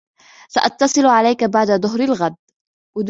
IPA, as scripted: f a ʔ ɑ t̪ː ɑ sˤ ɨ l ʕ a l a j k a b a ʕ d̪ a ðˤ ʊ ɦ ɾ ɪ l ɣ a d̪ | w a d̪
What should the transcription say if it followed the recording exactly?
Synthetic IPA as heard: s a ʔ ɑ t̪ː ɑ sˤ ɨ l ʕ a l a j k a b a ʕ d̪ a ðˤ ʊ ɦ ɾ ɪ l ɣ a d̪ | w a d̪